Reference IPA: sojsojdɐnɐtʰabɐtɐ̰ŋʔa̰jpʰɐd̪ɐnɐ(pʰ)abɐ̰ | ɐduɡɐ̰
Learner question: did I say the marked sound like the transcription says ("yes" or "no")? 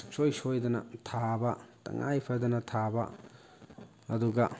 no